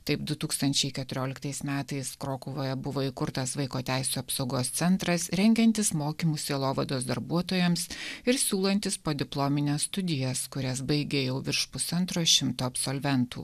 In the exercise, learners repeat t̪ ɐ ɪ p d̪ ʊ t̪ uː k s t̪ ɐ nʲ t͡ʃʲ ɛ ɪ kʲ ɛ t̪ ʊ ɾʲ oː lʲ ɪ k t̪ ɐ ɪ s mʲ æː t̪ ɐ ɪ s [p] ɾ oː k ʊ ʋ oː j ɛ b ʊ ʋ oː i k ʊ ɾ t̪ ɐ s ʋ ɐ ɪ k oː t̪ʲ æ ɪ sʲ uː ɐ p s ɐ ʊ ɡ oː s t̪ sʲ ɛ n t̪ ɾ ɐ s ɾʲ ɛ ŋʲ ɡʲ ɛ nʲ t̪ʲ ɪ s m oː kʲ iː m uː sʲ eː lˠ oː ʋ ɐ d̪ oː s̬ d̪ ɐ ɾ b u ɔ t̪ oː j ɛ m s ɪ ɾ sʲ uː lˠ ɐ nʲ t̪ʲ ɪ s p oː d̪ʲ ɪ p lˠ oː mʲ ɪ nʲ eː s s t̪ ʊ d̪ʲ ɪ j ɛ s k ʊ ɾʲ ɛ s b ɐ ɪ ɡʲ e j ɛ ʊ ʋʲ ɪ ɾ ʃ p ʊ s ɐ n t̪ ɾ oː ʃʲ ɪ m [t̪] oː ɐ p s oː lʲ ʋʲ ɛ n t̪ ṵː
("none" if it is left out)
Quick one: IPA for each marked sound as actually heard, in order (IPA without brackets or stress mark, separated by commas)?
k, t̪